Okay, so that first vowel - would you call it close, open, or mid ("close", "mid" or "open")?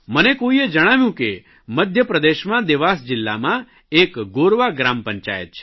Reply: mid